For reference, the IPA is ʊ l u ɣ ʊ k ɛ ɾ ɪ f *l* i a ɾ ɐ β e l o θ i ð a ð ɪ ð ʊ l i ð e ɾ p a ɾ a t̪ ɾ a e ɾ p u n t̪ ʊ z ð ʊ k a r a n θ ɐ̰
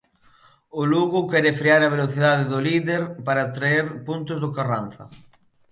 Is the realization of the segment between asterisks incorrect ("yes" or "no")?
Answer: yes